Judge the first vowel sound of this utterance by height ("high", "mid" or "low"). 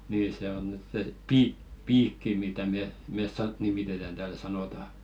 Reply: high